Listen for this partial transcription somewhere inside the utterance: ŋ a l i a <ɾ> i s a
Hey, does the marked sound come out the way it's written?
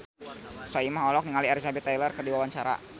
yes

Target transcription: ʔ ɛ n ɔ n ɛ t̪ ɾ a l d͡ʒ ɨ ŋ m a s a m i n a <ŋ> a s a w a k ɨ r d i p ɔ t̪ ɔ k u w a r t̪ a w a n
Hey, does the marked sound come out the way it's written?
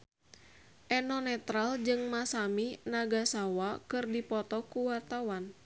no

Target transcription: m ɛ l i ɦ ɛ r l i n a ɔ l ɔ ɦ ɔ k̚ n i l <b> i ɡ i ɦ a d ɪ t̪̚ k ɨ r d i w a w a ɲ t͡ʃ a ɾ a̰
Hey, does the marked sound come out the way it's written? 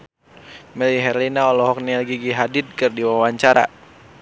no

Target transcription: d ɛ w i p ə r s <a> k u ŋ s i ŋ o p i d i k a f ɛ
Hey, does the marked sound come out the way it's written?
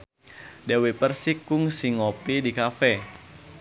no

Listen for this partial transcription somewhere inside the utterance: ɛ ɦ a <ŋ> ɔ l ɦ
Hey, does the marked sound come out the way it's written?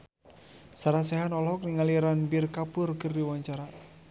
no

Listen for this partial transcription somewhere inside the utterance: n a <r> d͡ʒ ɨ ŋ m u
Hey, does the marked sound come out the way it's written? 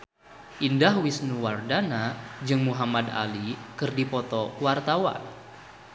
no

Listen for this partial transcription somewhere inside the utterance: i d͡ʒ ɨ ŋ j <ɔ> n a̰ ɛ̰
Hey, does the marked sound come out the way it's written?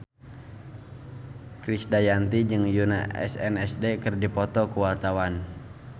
no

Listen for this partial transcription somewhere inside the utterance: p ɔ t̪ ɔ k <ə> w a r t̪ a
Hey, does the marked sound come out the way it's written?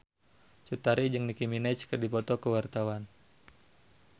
yes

